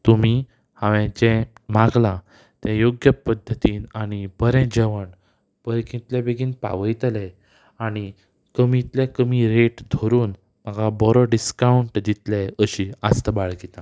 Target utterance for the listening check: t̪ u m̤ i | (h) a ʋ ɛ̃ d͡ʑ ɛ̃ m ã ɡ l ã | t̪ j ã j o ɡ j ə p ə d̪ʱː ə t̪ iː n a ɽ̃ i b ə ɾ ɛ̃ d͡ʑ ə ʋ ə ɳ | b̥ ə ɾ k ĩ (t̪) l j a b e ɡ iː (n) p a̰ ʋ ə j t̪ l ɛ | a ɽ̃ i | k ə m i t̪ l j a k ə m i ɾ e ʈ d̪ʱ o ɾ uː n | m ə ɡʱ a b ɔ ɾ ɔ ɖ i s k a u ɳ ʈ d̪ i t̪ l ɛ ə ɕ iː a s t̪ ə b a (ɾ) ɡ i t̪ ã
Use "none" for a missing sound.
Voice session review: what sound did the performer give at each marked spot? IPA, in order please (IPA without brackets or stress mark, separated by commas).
h, t̪, n, ɭ